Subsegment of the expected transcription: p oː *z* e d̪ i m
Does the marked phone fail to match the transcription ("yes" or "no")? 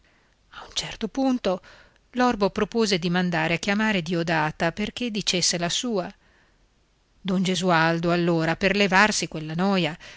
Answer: no